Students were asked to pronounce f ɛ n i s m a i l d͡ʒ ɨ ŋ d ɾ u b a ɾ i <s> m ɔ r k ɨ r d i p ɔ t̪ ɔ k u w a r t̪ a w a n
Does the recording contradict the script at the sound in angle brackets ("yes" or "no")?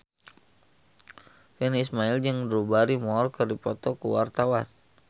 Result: yes